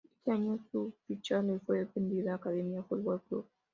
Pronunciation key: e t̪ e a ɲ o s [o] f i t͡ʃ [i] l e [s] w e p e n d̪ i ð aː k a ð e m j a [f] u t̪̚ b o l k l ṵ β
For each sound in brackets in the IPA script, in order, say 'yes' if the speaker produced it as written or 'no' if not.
no, no, no, yes

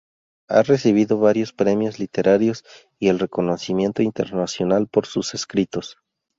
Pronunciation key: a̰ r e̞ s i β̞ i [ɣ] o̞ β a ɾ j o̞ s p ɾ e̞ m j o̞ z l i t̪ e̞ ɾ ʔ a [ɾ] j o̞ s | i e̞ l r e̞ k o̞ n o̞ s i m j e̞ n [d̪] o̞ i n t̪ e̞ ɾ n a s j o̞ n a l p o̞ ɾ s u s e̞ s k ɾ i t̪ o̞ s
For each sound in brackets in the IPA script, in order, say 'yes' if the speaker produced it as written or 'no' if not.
no, yes, no

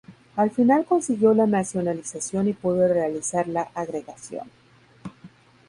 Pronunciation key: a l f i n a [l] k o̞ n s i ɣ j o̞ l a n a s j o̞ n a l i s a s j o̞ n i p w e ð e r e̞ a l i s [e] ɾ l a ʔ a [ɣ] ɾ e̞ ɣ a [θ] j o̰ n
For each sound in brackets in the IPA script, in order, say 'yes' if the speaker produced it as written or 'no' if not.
yes, no, yes, no

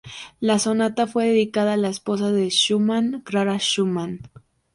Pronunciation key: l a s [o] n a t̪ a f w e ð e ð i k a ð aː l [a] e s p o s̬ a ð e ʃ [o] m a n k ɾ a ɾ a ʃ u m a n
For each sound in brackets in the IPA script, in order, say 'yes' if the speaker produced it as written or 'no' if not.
yes, yes, no

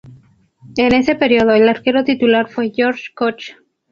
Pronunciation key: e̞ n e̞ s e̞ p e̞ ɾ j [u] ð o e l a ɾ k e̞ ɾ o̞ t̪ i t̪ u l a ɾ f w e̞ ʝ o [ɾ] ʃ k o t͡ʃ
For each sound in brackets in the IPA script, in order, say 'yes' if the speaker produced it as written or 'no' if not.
no, yes

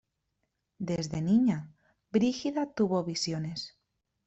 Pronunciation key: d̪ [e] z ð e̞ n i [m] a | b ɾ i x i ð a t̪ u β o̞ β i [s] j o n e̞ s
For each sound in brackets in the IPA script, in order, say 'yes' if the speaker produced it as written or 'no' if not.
yes, no, yes

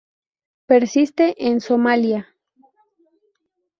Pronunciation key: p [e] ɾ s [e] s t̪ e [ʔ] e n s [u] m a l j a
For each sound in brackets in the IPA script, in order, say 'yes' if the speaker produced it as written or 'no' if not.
yes, no, yes, no

